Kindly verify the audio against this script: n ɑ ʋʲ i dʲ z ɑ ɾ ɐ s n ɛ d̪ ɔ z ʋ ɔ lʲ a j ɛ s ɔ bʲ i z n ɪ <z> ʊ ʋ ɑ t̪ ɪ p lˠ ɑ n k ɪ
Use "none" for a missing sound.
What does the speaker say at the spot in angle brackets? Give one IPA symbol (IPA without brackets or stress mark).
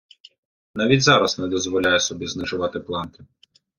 ʒ